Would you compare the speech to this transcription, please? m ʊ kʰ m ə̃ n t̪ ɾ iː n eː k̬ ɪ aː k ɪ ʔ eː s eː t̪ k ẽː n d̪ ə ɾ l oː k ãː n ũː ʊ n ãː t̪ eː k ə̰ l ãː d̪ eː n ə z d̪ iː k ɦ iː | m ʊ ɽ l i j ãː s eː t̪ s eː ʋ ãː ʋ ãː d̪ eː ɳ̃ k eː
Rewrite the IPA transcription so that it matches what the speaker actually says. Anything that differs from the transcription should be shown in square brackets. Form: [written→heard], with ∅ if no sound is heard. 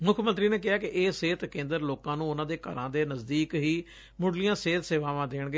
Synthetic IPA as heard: m ʊ kʰ m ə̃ n t̪ ɾ iː n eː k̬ ɪ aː k ɪ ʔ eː s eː t̪ k ẽː n d̪ ə ɾ l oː k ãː n ũː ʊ n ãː [t̪→d̪] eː k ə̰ [l→ɾ] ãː d̪ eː n ə z d̪ iː k ɦ iː | m ʊ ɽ l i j ãː s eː t̪ s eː ʋ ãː ʋ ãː d̪ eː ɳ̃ [k→ɡ] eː